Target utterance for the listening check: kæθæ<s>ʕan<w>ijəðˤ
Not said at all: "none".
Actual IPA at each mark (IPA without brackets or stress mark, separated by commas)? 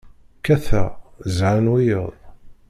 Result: z, w